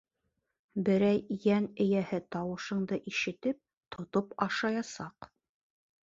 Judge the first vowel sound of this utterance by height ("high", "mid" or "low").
mid